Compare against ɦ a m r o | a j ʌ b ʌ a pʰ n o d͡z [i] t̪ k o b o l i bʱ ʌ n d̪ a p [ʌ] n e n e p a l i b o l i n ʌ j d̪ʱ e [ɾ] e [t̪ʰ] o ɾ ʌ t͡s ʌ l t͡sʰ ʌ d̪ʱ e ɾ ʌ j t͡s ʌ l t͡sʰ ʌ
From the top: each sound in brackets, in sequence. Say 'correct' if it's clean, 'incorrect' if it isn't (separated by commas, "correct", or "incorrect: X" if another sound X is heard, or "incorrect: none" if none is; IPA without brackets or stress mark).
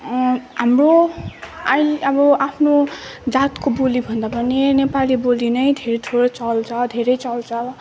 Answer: incorrect: a, correct, correct, correct